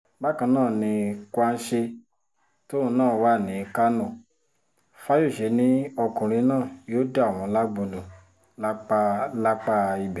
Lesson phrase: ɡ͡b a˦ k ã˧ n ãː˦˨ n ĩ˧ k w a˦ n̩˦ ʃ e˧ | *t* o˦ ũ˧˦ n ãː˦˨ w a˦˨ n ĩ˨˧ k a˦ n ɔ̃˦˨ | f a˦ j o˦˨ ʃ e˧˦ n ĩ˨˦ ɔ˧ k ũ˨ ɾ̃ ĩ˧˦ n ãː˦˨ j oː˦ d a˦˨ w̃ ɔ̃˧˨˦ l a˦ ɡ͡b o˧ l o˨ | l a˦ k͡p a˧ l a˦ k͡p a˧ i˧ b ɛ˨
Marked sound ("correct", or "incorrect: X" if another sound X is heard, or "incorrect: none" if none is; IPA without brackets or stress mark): correct